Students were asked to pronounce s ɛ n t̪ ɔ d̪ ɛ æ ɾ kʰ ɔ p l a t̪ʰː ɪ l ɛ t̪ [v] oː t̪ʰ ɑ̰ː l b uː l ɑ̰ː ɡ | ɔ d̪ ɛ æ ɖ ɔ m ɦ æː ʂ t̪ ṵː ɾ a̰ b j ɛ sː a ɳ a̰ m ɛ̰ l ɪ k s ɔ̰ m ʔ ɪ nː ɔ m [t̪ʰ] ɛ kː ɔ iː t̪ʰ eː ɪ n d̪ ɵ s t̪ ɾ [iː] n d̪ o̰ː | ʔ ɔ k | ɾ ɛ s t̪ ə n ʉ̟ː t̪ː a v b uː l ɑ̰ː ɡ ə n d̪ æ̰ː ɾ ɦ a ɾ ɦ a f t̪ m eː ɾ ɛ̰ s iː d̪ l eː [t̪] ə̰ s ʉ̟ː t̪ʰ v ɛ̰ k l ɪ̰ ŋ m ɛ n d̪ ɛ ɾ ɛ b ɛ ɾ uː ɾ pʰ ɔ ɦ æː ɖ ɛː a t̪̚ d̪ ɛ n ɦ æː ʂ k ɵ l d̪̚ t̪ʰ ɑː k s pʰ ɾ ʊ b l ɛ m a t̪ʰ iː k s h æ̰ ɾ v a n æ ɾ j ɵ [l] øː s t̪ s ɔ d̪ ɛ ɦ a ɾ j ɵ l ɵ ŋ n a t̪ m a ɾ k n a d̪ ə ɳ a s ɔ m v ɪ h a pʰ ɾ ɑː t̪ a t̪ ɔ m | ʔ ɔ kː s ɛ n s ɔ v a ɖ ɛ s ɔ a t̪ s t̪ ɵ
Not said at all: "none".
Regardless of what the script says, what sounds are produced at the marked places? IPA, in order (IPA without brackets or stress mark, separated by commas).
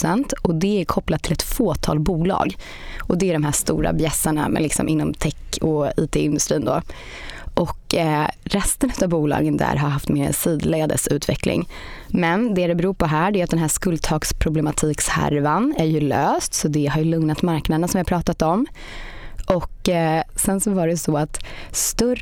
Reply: f, t̪ʰ, iː, d̪, l